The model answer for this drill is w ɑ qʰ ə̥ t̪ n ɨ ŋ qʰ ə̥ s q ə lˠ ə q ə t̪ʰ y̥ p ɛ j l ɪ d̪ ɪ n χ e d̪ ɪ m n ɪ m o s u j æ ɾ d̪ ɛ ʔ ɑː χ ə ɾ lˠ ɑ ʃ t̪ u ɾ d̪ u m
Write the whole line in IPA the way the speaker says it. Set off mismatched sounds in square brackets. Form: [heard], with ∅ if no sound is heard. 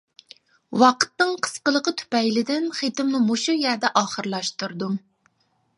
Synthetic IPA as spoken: w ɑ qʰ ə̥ t̪ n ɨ ŋ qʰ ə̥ s q ə lˠ ə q ə t̪ʰ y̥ p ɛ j l ɪ d̪ ɪ n χ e [t̪] ɪ m n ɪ m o [ʃ] u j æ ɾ d̪ ɛ ʔ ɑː χ ə ɾ lˠ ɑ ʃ t̪ u ɾ d̪ u m

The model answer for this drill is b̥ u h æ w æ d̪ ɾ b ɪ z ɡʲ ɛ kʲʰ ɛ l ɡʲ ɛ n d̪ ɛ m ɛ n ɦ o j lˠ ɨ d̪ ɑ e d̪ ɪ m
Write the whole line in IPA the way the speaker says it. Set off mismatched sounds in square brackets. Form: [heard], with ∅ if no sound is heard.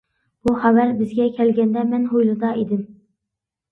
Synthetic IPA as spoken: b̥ u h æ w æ [∅] ɾ b ɪ z ɡʲ ɛ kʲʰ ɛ l ɡʲ ɛ n d̪ ɛ m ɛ n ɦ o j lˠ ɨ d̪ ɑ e d̪ ɪ m

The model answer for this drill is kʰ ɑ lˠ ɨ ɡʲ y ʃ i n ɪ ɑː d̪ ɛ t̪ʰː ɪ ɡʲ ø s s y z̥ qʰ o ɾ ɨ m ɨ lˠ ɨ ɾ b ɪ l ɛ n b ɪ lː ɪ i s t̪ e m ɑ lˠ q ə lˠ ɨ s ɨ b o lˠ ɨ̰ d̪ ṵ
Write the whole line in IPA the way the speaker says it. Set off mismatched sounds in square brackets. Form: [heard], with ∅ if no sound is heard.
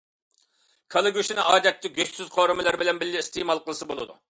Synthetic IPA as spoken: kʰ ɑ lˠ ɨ ɡʲ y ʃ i n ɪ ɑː d̪ ɛ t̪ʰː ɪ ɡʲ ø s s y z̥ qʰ o ɾ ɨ m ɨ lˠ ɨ ɾ b ɪ l ɛ n b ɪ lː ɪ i s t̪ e m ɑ lˠ q ə lˠ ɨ s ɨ b o lˠ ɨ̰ d̪ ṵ

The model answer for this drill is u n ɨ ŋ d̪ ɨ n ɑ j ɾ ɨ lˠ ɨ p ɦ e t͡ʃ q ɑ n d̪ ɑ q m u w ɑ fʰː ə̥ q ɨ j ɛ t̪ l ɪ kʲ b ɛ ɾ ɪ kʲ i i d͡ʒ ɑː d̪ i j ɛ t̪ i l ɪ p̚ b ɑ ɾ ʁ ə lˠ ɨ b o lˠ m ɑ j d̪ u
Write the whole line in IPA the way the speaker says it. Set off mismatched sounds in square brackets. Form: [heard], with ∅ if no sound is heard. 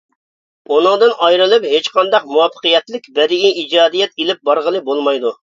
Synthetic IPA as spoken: u n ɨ ŋ d̪ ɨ n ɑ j ɾ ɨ lˠ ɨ p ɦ e t͡ʃ q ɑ n d̪ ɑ q m u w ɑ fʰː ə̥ q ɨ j ɛ t̪ l ɪ kʲ b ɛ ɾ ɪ [ɡʲ] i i d͡ʒ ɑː d̪ i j ɛ t̪ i l ɪ p̚ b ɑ ɾ ʁ ə lˠ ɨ b o lˠ m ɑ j d̪ u

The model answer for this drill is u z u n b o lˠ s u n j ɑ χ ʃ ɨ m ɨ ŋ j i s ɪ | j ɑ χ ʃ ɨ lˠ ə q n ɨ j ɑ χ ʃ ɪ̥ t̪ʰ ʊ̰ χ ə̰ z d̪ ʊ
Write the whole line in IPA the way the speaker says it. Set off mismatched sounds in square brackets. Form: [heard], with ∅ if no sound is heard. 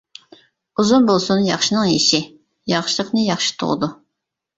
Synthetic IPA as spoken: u z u n b o lˠ s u n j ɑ χ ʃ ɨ [n] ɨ ŋ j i [ʃ] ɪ | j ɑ χ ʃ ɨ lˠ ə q n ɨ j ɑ χ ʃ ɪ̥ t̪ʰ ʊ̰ [ʁ] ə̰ [∅] d̪ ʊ

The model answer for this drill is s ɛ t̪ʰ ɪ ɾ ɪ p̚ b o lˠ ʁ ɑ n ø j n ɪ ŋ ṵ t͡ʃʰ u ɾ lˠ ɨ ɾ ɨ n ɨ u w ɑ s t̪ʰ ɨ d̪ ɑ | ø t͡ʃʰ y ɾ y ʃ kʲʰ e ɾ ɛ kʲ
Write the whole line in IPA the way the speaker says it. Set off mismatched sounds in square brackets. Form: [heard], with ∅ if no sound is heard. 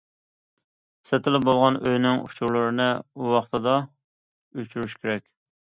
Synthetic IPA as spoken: s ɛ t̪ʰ ɪ [l] ɪ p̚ b o lˠ ʁ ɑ n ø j n ɪ ŋ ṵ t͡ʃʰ u ɾ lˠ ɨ ɾ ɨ n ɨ u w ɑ [χ] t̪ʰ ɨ d̪ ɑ | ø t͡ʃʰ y ɾ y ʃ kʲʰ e ɾ ɛ kʲ

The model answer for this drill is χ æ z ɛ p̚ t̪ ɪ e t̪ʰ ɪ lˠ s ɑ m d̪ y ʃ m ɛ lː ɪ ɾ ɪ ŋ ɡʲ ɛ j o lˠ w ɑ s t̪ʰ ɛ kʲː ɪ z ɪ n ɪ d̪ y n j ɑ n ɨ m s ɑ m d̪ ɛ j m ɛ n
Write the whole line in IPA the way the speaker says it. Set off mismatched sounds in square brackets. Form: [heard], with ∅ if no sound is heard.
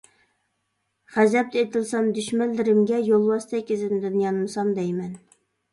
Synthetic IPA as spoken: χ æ z ɛ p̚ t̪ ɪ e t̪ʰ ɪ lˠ s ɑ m d̪ y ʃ m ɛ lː ɪ ɾ ɪ [m] ɡʲ ɛ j o lˠ w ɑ s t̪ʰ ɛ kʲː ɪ z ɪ n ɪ d̪ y n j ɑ n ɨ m s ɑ m d̪ ɛ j m ɛ n

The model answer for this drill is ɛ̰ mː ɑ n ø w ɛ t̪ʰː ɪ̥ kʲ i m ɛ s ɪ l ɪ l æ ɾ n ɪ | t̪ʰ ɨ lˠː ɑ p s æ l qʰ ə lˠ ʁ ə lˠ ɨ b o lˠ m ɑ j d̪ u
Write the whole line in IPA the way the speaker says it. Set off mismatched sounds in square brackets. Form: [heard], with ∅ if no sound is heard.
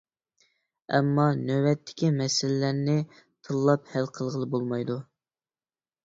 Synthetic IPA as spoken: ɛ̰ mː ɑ n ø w ɛ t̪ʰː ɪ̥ kʲ i m ɛ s ɪ l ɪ l æ ɾ n ɪ | t̪ʰ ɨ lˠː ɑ p [h] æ l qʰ ə lˠ ʁ ə lˠ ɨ b o lˠ m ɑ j d̪ u

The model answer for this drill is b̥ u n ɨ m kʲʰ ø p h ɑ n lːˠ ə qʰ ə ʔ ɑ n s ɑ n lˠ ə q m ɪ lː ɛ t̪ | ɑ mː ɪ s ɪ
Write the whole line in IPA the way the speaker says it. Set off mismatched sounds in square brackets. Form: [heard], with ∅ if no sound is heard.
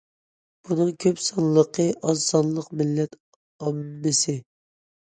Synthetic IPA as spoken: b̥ u n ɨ [ŋ] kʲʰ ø p [s] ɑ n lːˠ ə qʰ ə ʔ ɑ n s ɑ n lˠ ə q m ɪ lː ɛ t̪ | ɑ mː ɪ s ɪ

